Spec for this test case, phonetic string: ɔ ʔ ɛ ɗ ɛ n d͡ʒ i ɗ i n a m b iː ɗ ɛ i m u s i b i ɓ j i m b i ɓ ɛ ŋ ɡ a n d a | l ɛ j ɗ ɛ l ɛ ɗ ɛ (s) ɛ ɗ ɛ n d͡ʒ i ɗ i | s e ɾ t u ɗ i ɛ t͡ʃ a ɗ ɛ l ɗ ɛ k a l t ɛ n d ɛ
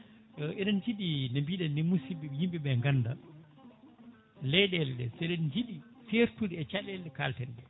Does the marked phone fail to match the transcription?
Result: no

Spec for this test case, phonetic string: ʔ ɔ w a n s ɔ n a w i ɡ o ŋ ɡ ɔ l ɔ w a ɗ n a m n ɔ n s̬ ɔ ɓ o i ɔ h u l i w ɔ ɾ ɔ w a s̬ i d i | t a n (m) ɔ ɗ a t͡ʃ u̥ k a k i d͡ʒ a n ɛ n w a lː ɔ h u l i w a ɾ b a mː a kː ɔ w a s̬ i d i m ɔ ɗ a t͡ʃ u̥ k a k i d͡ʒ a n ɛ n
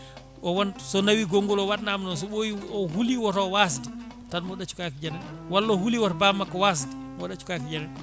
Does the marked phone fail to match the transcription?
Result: no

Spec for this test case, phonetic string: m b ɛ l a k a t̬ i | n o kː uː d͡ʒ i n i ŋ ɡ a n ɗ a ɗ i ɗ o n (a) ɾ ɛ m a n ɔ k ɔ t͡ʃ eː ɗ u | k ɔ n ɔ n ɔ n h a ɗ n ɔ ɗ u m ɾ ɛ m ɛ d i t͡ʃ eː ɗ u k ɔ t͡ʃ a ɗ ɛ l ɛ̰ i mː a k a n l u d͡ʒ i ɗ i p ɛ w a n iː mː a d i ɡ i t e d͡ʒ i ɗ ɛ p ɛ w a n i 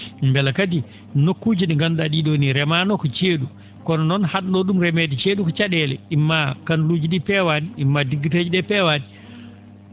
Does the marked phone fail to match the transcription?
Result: yes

